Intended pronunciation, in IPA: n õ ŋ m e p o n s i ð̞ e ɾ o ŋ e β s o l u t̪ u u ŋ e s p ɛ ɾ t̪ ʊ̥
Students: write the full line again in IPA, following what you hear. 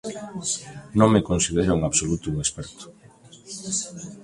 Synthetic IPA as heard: n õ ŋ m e k o n s i ð̞ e ɾ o ŋ a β s o l u t̪ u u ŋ e s p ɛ ɾ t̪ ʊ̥

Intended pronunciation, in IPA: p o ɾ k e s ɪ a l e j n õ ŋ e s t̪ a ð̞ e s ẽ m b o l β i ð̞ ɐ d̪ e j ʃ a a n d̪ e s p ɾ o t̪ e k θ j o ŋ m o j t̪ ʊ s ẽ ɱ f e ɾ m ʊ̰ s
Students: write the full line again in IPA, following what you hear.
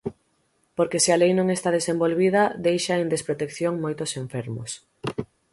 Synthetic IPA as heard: p o ɾ k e s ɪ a l e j n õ ŋ e s t̪ a ð̞ e s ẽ m b o l β i ð̞ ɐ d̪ e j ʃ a e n d̪ e s p ɾ o t̪ e k θ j o ŋ m o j t̪ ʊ s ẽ ɱ f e ɾ m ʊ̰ s

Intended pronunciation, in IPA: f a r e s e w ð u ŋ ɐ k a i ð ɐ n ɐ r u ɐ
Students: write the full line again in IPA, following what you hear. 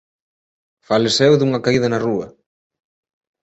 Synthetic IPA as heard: f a l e s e w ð u ŋ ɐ k a i ð ɐ n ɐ r u ɐ

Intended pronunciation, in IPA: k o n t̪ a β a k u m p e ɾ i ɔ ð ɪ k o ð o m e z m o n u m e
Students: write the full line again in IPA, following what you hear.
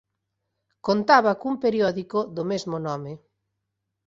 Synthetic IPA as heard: k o n t̪ a β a k u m p e ɾ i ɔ ð i k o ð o m e z m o n ɔ m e

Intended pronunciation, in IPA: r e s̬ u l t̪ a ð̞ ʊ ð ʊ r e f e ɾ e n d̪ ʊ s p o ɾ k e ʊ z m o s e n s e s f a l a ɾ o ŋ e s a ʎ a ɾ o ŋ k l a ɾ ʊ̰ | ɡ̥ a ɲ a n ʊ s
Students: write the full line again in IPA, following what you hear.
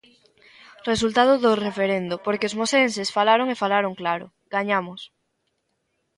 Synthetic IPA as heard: r e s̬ u l t̪ a ð̞ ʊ ð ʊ r e f e ɾ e n d̪ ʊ p o ɾ k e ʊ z m o s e n s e s f a l a ɾ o ŋ e f a l a ɾ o ŋ k l a ɾ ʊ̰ | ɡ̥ a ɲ a m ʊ s

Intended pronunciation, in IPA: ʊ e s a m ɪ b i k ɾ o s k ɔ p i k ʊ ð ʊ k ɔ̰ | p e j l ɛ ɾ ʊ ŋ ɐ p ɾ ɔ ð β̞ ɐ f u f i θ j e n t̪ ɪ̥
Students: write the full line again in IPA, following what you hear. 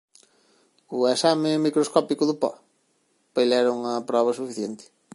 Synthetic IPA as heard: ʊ e s a m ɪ m i k ɾ o s k ɔ p i k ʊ ð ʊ p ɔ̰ | p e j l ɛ ɾ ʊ ŋ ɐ p ɾ ɔ β̞ ɐ s u f i θ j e n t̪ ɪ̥

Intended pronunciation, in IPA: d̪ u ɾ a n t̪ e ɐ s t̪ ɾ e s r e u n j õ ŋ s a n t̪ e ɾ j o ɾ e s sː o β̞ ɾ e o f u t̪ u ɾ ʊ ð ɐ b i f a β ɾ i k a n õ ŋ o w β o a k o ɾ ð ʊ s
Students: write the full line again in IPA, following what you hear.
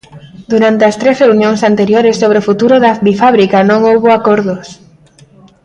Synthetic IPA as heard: d̪ u ɾ a n t̪ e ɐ s t̪ ɾ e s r e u n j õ ŋ s a n t̪ e ɾ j o ɾ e s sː o β̞ ɾ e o f u t̪ u ɾ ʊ ð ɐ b i f a β ɾ i k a n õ ŋ o w β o a k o ɾ ð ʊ s

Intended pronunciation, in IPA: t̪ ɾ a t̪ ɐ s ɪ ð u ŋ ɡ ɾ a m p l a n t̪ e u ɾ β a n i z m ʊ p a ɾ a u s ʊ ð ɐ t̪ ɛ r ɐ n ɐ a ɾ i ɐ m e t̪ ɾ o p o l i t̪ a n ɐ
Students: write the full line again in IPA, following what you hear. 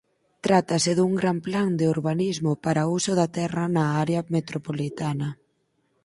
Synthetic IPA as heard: t̪ ɾ a t̪ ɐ s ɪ ð u ŋ ɡ ɾ a m p l a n d̪ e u ɾ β a n i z m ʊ p a ɾ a u s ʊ ð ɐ t̪ ɛ r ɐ n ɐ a ɾ e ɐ m e t̪ ɾ o p o l i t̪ a n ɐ

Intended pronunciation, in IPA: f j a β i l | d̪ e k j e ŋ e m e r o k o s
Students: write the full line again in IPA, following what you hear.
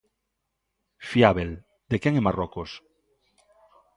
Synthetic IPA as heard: f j a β e l | d̪ e k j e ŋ e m a r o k o s

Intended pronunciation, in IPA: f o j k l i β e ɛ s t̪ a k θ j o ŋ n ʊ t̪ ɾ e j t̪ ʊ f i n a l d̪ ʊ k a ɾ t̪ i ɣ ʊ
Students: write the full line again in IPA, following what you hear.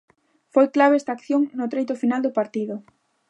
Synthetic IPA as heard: f o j k l a β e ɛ s t̪ a k θ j o ŋ n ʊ t̪ ɾ e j t̪ ʊ f i n a l d̪ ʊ p a ɾ t̪ i ð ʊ

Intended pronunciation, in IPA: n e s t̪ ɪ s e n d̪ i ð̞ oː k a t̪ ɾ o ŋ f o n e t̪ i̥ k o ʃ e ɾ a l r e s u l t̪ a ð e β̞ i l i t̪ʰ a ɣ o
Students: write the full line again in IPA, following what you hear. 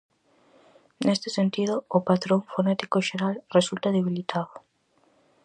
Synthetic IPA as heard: n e s t̪ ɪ s e n t̪ i ð̞ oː p a t̪ ɾ o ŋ f o n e t̪ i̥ k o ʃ e ɾ a l r e s u l t̪ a ð e β̞ i l i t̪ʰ a ð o

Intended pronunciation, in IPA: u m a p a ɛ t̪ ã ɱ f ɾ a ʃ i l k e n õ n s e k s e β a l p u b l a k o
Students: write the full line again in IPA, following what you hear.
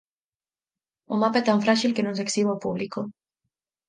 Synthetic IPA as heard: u m a p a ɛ t̪ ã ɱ f ɾ a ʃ i l k e n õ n s e k s i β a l p u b l i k o

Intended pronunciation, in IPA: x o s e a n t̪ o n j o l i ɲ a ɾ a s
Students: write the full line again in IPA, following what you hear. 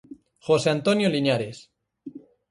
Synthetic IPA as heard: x o s e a n t̪ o n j o l i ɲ a ɾ e s

